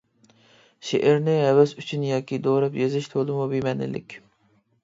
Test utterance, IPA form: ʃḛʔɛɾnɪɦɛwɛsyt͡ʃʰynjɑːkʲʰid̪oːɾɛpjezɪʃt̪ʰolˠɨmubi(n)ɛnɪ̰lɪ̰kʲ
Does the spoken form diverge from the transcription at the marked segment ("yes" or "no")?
yes